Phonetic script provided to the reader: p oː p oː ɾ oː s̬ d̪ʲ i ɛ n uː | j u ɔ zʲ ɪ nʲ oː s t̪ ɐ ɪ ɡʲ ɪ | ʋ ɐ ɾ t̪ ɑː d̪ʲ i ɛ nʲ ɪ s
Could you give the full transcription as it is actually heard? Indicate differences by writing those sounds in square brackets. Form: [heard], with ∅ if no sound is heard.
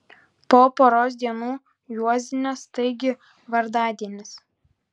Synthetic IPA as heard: p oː p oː ɾ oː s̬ d̪ʲ i ɛ n uː | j u ɔ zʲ ɪ nʲ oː s t̪ ɐ ɪ ɡʲ ɪ | ʋ ɐ ɾ [d̪] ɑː d̪ʲ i ɛ nʲ ɪ s